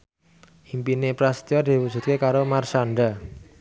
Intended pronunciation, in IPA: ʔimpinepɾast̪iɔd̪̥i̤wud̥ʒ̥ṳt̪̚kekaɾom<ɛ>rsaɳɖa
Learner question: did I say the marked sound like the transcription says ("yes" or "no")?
no